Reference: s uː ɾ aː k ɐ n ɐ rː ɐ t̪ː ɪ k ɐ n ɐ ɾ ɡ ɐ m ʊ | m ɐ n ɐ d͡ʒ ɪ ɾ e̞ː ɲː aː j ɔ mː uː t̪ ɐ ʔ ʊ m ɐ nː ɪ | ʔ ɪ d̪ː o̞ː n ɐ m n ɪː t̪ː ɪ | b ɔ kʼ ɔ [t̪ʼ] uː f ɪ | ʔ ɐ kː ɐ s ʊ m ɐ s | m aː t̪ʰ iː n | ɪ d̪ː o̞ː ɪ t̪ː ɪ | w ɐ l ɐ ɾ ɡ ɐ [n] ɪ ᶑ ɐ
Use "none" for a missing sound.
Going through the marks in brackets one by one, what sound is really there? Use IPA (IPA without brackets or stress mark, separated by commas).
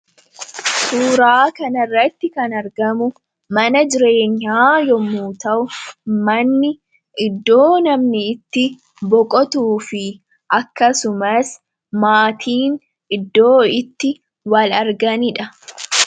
t̪, n